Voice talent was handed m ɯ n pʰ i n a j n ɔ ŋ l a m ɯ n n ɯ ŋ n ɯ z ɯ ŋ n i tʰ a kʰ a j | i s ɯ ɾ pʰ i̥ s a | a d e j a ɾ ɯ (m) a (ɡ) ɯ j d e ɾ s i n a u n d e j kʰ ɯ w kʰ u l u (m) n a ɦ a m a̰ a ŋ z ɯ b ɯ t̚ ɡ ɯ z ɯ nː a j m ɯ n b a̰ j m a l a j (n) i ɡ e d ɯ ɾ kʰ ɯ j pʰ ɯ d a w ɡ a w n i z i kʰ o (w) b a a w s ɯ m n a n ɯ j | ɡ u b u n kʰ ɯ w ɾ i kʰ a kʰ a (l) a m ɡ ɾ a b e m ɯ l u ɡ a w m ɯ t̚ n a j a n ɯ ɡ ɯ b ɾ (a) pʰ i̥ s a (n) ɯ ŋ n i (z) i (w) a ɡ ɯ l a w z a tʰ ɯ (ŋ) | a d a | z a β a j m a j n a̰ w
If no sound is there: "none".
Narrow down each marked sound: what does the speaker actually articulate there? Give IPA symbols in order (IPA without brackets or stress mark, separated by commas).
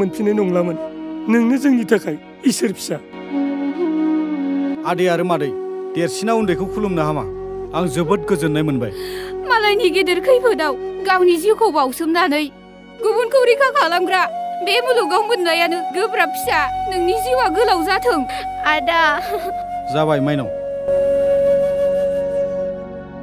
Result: m, d, m, n, w, l, a, n, z, w, ŋ